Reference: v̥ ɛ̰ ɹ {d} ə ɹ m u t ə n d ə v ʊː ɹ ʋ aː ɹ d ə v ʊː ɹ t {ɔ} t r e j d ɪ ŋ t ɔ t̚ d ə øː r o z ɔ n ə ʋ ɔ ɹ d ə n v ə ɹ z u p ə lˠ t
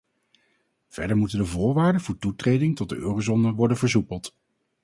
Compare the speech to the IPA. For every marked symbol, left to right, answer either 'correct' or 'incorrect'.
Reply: correct, incorrect

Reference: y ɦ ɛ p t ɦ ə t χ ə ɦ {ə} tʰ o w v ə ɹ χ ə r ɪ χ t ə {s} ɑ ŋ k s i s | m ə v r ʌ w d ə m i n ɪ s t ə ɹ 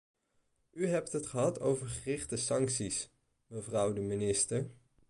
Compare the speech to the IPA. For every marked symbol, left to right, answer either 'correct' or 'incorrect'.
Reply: incorrect, correct

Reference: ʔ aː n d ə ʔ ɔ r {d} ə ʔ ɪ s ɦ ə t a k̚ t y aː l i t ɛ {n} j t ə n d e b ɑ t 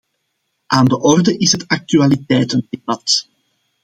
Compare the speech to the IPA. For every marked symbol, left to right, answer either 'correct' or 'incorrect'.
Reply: correct, incorrect

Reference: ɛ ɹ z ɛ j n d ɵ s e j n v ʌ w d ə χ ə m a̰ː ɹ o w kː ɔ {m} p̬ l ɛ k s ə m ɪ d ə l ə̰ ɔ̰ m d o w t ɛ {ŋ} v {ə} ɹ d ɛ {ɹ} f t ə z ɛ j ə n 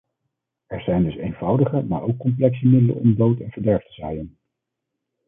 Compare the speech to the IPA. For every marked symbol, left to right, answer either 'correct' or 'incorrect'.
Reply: correct, incorrect, correct, correct

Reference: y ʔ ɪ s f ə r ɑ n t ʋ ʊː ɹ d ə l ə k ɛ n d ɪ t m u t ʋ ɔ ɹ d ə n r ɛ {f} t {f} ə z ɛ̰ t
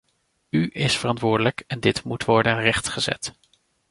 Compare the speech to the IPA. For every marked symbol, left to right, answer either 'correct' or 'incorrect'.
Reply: incorrect, incorrect

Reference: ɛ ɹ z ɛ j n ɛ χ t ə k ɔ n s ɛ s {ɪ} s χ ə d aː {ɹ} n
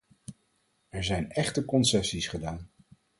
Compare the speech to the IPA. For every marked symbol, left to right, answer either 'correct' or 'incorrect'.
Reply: incorrect, incorrect

